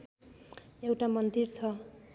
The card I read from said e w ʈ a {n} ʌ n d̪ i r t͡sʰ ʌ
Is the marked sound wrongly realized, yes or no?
yes